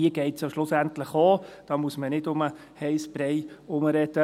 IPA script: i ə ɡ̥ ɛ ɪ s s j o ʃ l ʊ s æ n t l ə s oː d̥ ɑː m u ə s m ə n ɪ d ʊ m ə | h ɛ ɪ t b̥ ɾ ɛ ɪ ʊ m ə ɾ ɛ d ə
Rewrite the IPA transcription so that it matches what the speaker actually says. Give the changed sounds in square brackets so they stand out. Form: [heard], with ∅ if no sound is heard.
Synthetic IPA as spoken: i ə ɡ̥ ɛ ɪ [t] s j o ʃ l ʊ s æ n t l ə [χ] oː d̥ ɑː m u ə s m ə n ɪ d ʊ m ə | h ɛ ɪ [s] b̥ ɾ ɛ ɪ ʊ m ə ɾ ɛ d ə